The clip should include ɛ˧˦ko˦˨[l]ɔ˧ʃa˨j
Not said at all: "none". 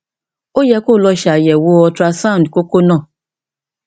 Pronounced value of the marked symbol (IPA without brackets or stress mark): l